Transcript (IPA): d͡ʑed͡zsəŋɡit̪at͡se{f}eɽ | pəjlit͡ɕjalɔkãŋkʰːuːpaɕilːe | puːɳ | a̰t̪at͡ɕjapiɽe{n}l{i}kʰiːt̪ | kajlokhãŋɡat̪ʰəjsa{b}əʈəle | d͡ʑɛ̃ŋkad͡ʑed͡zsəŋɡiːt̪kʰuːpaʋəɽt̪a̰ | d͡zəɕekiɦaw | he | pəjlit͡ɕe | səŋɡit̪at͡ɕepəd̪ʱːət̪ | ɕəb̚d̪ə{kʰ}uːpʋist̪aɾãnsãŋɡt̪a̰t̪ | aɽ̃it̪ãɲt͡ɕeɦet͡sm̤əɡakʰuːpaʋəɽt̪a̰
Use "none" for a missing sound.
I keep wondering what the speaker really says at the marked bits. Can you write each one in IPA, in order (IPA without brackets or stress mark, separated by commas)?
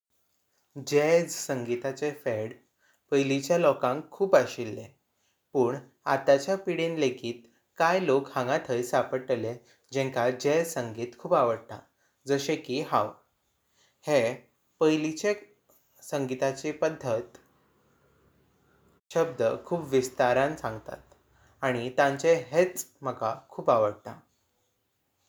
f, n, e, p, kʰ